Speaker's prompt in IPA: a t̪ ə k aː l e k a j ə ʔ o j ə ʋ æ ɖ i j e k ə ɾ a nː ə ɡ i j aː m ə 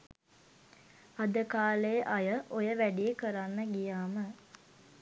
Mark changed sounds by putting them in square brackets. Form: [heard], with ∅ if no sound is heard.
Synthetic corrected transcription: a [d̪] ə k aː l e [ʔ] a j ə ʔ o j ə ʋ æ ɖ i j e k ə ɾ a nː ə ɡ i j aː m ə